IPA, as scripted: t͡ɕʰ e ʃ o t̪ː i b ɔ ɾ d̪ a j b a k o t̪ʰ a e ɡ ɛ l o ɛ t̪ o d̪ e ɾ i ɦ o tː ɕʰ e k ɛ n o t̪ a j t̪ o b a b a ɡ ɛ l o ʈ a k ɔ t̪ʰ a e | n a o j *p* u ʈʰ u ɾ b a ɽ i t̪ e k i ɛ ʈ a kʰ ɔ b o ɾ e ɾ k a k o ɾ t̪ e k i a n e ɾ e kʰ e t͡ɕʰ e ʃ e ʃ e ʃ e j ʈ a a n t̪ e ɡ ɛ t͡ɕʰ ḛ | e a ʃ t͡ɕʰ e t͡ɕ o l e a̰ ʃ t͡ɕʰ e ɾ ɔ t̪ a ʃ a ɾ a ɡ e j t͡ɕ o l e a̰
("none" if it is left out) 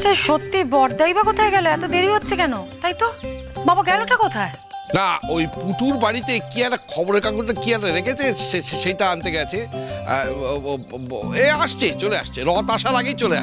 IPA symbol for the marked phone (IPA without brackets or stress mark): p